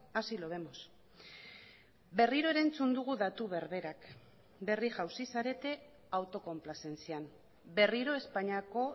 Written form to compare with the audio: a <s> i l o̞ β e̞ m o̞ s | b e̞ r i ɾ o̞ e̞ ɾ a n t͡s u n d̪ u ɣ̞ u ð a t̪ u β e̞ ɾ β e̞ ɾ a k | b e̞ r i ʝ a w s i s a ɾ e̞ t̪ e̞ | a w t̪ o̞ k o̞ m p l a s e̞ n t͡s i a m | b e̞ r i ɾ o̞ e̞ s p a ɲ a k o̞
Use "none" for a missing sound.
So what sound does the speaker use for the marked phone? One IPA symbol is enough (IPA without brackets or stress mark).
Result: s